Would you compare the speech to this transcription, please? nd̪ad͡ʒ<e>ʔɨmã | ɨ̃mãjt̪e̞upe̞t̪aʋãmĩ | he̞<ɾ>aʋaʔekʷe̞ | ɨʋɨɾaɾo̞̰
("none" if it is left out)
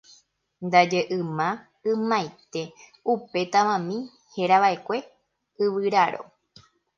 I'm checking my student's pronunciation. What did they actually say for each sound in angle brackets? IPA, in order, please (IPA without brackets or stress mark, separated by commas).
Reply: e, ɾ